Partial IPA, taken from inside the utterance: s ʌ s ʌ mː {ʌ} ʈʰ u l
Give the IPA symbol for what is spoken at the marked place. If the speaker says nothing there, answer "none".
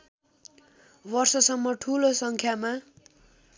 ʌ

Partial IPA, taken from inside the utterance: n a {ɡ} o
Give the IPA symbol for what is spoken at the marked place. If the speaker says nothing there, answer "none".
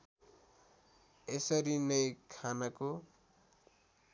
k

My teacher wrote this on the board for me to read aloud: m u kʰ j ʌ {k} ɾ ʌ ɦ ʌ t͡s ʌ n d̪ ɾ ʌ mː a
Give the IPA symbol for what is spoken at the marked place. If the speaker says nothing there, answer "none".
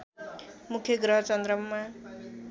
ɡ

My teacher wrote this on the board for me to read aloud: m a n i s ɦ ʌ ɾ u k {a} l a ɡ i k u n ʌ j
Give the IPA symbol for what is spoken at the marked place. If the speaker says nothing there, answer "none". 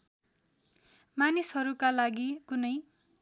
a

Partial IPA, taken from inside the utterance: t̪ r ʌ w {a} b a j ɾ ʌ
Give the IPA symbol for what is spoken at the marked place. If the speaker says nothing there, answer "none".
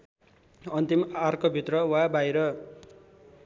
a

